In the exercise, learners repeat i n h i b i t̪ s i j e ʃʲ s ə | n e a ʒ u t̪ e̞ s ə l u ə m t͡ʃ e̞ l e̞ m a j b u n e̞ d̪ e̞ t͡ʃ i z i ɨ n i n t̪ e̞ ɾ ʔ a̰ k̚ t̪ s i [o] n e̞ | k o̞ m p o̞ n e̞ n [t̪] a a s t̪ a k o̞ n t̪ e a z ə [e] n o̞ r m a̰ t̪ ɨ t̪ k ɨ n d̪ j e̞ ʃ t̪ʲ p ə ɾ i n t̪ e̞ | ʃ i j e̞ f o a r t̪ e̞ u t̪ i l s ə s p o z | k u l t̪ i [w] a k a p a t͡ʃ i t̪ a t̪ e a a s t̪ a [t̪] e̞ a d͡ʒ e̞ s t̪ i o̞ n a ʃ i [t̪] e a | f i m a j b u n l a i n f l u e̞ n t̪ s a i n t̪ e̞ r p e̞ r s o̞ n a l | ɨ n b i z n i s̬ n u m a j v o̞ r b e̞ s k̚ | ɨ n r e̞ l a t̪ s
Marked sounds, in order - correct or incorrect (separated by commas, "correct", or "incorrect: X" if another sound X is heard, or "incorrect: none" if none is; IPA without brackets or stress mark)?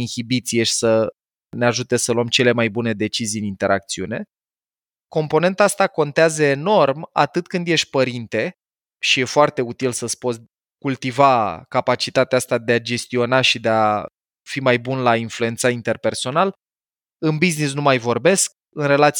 incorrect: u, correct, correct, incorrect: v, incorrect: d̪, incorrect: d̪